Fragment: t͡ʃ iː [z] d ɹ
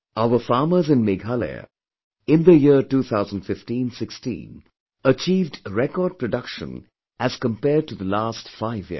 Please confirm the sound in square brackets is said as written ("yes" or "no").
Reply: no